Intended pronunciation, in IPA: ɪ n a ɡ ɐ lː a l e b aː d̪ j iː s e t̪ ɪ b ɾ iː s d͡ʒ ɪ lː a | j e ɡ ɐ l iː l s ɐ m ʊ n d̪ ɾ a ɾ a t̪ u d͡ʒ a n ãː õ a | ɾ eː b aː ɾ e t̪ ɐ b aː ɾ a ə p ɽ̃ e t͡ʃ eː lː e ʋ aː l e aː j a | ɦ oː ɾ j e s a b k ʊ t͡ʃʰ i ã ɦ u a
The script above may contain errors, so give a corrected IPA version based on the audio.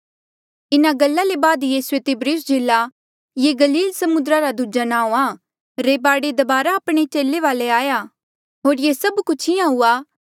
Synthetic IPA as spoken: ɪ n a ɡ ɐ lː a l e b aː d̪ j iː s e t̪ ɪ b ɾ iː s d͡ʒ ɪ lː a | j e ɡ ɐ l iː l s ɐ m ʊ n d̪ ɾ a ɾ a d̪ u d͡ʒ a n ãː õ a | ɾ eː b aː ɽ e d̪ ɐ b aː ɾ a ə p ɽ̃ e t͡ʃ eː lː e ʋ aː l e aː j a | ɦ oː ɾ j e s ɐ b k ʊ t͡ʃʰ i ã ɦ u a